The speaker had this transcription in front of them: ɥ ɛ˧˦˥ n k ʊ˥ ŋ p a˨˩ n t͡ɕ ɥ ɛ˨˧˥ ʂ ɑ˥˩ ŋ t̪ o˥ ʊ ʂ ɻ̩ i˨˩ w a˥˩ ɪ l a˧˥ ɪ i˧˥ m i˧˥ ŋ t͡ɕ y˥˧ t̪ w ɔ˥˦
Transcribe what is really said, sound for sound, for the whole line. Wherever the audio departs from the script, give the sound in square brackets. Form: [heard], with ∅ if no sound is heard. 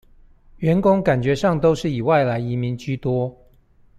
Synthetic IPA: ɥ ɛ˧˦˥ n k ʊ˥ ŋ [k] a˨˩ n t͡ɕ ɥ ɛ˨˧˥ ʂ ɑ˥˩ ŋ t̪ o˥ ʊ ʂ ɻ̩ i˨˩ w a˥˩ ɪ l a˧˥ ɪ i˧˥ m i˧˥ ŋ t͡ɕ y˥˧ t̪ w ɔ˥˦